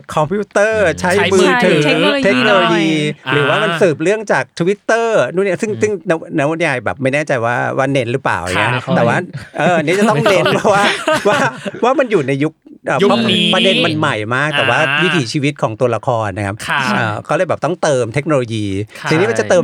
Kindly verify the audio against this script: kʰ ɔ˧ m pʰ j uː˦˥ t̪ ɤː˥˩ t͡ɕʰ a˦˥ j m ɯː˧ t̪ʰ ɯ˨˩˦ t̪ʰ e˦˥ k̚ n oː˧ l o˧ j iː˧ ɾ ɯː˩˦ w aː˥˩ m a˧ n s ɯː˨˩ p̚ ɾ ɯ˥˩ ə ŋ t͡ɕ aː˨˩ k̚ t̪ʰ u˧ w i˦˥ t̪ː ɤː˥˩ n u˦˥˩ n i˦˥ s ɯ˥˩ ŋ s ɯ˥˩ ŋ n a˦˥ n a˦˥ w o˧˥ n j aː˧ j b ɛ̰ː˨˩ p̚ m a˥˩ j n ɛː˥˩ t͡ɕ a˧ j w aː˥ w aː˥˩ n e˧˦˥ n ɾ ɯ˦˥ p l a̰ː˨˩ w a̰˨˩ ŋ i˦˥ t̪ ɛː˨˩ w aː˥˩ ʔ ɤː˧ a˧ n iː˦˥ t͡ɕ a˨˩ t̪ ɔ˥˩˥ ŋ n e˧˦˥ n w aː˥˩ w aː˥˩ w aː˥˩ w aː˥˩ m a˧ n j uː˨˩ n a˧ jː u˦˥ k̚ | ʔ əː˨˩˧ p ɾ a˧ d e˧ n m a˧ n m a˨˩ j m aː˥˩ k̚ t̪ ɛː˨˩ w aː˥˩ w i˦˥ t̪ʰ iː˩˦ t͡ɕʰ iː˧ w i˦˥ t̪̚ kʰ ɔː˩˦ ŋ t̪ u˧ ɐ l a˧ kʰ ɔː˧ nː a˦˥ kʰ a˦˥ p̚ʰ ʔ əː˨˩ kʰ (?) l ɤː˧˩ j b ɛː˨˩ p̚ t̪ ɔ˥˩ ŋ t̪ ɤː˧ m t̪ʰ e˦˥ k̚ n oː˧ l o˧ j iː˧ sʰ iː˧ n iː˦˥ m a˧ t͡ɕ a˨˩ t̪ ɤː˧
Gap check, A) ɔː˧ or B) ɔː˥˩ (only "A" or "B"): B